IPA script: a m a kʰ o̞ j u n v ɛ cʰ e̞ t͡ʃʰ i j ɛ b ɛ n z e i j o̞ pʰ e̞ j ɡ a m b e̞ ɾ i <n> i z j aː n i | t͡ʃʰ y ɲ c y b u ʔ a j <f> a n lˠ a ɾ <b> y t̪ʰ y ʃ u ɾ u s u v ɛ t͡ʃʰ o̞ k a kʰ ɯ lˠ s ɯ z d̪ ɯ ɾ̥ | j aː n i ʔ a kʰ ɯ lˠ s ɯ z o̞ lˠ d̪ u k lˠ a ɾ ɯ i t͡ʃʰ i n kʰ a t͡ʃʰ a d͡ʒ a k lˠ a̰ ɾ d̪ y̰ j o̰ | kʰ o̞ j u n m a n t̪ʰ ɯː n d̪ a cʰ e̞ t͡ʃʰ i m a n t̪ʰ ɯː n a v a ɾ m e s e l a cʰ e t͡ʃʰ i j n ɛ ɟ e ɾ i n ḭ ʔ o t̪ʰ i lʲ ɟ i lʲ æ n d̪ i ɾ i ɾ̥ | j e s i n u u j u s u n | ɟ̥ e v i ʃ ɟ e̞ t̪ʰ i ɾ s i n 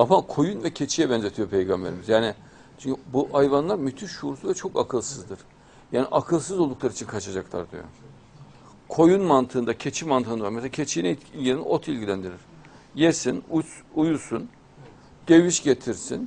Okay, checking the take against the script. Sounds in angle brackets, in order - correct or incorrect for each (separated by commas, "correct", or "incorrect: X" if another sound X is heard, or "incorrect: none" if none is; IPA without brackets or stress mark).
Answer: incorrect: m, incorrect: v, incorrect: m